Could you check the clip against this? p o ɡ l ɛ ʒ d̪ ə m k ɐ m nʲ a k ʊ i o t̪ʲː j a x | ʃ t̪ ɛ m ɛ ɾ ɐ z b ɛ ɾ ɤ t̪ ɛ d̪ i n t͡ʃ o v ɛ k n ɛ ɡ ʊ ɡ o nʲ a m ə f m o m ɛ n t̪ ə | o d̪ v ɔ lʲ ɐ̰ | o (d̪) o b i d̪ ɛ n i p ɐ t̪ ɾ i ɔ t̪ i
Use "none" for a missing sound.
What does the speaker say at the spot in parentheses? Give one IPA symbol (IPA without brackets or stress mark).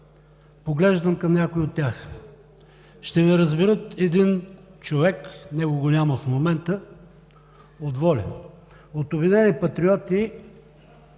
t̪